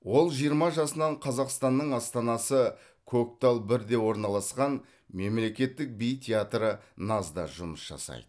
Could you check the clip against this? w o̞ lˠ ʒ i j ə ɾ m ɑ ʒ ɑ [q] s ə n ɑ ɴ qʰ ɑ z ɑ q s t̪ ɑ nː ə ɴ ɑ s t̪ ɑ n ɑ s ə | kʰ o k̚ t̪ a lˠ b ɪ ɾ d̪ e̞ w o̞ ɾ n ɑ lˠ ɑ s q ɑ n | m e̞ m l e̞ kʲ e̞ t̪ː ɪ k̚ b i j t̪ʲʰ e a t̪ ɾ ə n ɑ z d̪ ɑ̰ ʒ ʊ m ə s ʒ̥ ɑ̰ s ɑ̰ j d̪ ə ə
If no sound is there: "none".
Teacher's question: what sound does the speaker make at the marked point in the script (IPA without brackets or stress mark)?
none